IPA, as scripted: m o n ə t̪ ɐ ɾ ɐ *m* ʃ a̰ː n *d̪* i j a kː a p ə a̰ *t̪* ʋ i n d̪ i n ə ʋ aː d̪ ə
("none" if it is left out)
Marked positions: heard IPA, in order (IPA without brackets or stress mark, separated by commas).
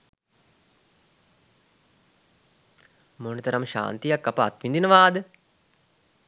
m, t̪, t̪